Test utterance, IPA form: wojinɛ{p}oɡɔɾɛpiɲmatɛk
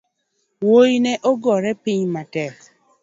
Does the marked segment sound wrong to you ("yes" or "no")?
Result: yes